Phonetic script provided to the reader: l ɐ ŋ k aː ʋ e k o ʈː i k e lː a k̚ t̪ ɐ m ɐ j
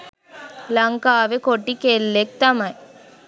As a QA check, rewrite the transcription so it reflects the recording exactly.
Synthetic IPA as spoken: l ɐ ŋ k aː ʋ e k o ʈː i k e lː e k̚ t̪ ɐ m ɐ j